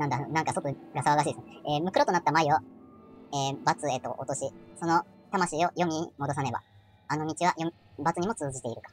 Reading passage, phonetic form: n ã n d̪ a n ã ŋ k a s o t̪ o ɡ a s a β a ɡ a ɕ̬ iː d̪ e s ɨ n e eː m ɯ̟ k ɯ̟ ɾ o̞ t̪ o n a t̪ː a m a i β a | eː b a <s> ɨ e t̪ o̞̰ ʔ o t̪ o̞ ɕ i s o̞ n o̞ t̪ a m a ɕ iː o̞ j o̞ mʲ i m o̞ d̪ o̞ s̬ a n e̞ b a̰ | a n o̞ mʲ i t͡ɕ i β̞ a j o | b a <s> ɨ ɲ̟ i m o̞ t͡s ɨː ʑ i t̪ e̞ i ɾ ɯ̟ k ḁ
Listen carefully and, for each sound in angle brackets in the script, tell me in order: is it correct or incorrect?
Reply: incorrect: t͡s, incorrect: t͡s

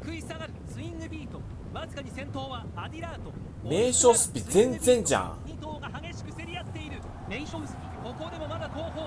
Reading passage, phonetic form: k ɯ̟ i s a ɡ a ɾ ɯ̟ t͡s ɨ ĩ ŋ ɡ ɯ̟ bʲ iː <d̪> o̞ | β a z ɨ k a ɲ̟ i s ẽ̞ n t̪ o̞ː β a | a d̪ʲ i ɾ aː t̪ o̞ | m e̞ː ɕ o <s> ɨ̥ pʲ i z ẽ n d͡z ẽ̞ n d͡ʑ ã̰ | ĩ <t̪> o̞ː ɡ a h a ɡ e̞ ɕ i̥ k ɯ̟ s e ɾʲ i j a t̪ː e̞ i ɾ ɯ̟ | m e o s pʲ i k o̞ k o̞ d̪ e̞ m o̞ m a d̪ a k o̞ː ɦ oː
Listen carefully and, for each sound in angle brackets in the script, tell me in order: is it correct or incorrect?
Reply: incorrect: t̪, correct, correct

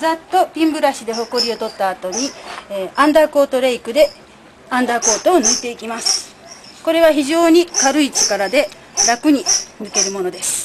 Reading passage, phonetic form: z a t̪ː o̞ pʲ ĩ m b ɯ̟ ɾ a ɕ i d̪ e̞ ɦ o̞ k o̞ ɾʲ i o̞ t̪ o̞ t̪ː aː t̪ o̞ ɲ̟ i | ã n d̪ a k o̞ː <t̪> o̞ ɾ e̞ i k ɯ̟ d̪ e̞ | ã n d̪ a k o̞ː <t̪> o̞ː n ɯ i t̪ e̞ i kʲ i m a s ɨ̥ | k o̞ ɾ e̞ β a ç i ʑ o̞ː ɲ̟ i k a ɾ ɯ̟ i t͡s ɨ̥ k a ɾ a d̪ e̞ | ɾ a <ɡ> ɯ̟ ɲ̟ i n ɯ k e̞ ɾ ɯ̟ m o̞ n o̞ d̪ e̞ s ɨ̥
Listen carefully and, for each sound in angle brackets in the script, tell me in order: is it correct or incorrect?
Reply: correct, correct, incorrect: k

